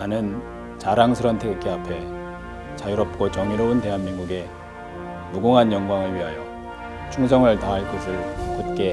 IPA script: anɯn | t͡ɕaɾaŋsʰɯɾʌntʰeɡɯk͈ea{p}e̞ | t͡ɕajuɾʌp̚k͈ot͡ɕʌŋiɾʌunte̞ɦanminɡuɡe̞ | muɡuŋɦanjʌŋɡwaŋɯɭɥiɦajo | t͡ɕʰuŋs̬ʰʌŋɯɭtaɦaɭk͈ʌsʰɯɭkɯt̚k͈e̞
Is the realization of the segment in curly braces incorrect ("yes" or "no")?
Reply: yes